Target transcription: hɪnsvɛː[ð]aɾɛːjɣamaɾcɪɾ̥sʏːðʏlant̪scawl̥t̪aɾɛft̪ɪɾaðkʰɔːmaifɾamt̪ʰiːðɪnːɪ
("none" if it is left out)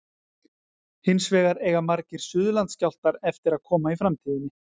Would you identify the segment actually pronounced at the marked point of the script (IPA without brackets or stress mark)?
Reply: ɣ